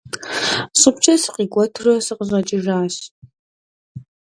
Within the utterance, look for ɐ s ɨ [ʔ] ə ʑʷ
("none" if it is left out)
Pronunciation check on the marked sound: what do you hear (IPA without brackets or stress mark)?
q